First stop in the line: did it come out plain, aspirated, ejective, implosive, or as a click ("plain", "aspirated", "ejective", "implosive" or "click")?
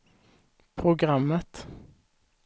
aspirated